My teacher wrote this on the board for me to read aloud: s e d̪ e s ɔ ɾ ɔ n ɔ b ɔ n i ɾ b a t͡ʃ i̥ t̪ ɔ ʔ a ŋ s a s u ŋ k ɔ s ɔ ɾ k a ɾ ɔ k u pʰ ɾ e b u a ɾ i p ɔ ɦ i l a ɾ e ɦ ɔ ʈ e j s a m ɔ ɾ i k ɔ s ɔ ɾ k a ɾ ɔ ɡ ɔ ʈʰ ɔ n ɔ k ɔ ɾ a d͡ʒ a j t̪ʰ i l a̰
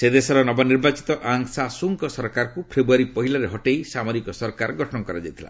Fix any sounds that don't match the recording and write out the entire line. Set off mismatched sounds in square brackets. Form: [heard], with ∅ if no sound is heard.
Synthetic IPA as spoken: s e d̪ e s ɔ ɾ ɔ n ɔ b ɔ n i ɾ b a t͡ʃ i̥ t̪ ɔ ʔ a ŋ s a s u ŋ k ɔ s ɔ ɾ k a ɾ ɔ k u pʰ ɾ e b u a ɾ i p ɔ ɦ i l a ɾ e ɦ ɔ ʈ e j s a m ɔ ɾ i k ɔ s ɔ ɾ k a ɾ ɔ ɡ ɔ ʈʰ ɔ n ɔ k ɔ ɾ a d͡ʒ a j t̪ʰ i l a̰